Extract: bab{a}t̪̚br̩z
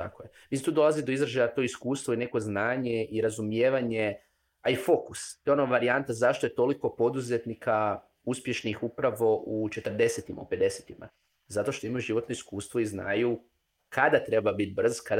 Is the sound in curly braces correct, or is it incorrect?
incorrect